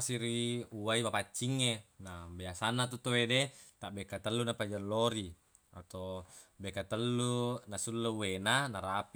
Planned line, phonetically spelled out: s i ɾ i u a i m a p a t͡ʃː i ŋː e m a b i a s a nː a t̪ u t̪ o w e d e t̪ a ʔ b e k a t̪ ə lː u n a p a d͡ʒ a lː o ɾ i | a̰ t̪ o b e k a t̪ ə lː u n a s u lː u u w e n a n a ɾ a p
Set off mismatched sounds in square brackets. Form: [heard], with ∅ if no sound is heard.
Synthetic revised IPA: s i ɾ i u a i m a p a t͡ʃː i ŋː e [n] a b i a s a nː a t̪ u t̪ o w e d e t̪ a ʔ b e k a t̪ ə lː u n a p a d͡ʒ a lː o ɾ i | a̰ t̪ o b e k a t̪ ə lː u n a s u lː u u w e n a n a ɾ a p